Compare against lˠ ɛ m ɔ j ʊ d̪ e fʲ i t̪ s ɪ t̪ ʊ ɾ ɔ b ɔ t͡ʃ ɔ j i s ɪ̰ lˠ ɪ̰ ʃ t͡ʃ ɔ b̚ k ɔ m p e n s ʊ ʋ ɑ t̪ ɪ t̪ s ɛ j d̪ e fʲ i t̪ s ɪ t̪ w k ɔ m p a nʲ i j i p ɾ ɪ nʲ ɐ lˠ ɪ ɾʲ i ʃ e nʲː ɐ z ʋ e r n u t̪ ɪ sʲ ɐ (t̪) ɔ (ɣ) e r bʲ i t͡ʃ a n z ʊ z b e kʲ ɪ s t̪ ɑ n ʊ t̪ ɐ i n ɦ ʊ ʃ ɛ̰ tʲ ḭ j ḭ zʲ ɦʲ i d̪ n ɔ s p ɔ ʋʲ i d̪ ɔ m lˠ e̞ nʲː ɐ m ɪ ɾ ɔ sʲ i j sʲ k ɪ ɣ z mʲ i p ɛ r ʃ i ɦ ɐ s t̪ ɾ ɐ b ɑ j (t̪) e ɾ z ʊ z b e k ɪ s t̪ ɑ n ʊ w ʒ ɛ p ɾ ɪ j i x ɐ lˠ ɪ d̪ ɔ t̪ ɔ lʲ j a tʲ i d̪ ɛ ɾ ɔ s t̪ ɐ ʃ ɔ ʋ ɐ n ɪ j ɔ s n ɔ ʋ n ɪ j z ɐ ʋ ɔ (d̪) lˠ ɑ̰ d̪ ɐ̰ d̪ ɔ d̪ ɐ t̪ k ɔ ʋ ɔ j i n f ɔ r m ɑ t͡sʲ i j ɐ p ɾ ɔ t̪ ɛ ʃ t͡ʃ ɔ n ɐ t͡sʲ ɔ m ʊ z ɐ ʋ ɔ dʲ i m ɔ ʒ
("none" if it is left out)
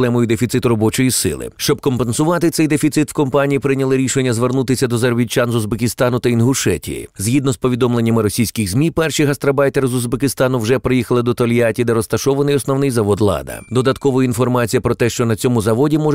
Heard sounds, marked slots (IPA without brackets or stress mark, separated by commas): d̪, z, t̪, d̪